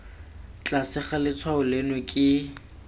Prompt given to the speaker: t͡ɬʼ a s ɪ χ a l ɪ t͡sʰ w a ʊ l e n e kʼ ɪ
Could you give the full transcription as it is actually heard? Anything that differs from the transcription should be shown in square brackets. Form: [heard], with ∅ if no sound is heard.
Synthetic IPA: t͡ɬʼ a s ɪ χ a l ɪ t͡sʰ w a ʊ l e n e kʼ ɪ